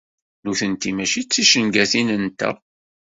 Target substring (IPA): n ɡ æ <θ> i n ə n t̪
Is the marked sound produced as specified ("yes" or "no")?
yes